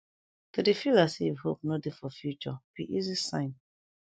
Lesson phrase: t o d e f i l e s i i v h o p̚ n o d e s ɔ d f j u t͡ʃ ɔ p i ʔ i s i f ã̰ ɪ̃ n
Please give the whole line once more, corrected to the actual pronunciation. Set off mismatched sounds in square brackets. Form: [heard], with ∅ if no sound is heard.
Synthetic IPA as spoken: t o d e f i l [a] s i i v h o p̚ n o d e [f] ɔ [∅] f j u t͡ʃ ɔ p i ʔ i [z] i [s] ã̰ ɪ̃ n